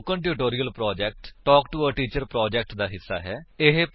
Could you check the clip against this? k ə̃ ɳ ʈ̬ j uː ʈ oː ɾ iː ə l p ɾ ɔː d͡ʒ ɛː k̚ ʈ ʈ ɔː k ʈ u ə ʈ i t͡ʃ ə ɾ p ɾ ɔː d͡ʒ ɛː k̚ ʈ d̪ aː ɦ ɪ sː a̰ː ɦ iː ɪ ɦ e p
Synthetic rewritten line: k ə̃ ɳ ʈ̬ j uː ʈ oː ɾ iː ə l p ɾ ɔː d͡ʒ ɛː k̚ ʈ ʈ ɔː k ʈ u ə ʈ iː t͡ʃ ə ɾ p ɾ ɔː d͡ʒ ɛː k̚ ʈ d̪ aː ɦ ɪ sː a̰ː ɦ ɛː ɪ ɦ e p